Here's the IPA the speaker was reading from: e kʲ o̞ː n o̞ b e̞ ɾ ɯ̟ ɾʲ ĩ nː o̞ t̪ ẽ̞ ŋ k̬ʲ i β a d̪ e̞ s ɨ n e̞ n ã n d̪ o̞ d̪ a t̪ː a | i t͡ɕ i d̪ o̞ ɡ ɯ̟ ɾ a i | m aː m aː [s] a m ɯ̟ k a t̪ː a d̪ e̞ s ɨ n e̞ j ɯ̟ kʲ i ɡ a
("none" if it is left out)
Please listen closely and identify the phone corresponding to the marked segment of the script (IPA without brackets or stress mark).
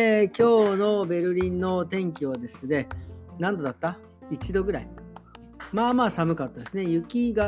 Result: s